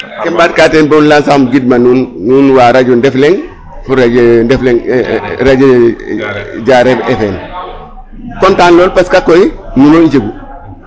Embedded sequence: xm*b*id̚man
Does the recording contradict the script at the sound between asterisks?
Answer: yes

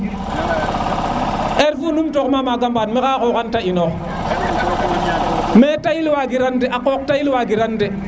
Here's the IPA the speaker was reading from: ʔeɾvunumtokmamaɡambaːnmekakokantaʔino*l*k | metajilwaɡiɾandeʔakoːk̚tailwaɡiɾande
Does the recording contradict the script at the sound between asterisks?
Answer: yes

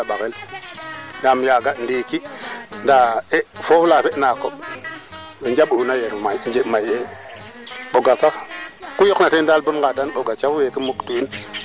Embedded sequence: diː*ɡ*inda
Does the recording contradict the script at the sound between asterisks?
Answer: yes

